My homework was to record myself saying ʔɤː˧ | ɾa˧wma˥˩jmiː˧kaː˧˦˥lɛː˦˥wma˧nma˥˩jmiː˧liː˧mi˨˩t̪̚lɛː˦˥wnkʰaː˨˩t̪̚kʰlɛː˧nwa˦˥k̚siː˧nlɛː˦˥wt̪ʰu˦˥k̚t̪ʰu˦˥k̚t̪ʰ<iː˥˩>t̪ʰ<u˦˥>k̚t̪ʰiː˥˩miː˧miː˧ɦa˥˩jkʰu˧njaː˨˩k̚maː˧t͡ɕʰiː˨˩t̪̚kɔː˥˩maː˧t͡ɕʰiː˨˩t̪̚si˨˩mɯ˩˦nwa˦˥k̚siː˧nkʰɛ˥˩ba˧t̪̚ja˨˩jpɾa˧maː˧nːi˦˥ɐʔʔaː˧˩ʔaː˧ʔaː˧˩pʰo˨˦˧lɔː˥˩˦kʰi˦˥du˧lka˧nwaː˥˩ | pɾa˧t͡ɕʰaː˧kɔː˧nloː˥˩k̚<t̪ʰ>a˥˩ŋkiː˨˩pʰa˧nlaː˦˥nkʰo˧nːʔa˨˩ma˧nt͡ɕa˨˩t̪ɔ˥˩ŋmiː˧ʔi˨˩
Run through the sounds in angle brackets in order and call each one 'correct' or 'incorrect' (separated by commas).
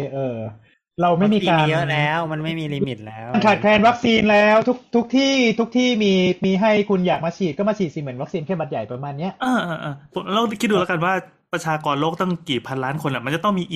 correct, correct, incorrect